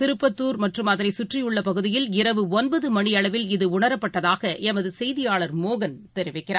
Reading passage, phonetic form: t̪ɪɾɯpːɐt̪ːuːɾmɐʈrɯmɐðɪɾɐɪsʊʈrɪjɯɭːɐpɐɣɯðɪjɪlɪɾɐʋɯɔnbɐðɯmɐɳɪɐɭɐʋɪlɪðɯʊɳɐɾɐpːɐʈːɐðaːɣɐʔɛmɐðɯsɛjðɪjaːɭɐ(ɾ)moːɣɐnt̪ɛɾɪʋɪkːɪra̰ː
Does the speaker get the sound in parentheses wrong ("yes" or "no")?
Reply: no